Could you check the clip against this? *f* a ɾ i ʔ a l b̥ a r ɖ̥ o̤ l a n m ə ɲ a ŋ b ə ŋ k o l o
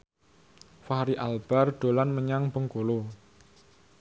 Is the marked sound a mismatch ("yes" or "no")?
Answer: no